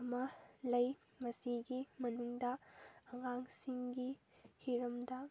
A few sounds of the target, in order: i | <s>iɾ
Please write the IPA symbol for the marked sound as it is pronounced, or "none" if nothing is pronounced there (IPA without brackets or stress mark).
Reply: h